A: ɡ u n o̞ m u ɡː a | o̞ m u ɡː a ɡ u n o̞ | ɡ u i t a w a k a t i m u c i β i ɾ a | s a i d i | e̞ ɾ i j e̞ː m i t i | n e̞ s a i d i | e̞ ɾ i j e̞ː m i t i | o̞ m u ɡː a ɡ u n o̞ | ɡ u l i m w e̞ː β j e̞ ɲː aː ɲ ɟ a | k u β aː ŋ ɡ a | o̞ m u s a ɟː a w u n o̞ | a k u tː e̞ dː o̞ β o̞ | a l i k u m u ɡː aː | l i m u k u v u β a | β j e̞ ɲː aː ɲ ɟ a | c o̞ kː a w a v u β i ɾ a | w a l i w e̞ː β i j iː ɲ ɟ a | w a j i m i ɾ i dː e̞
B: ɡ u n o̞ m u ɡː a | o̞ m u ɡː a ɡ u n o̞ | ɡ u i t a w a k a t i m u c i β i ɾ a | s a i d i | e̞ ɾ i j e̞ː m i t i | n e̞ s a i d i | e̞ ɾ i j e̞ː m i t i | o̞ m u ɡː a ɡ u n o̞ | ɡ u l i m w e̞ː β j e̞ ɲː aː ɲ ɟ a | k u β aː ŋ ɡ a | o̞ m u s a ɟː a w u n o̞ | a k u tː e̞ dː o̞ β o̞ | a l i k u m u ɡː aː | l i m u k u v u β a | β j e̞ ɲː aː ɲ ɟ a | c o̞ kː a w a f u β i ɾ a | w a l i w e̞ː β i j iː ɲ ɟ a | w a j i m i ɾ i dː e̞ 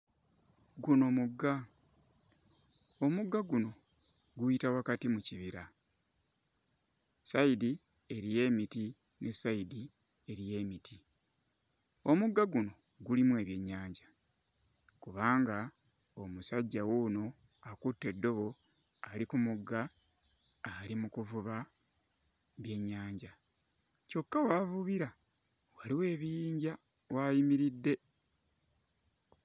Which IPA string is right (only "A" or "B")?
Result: A